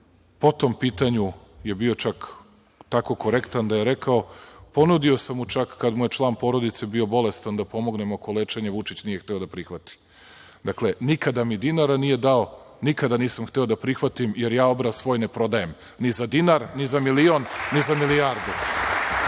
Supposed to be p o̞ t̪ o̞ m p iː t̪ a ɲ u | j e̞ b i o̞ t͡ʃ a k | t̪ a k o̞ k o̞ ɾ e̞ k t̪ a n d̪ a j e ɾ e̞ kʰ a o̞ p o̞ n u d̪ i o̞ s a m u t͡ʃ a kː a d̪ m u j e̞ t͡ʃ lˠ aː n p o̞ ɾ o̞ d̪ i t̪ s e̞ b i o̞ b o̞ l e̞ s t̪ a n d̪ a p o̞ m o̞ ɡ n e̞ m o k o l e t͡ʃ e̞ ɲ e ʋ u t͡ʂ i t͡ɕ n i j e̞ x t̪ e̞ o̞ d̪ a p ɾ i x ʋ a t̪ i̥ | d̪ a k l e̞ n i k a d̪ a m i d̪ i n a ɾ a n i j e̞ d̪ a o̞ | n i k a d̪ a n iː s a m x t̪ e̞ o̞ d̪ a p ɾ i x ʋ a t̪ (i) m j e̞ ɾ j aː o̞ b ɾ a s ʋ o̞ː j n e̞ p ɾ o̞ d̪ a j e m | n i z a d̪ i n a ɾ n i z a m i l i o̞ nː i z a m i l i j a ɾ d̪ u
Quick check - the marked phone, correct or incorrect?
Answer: correct